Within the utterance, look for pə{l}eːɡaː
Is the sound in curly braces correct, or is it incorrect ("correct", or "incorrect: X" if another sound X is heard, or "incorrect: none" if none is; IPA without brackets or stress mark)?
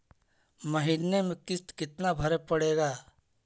incorrect: ɽ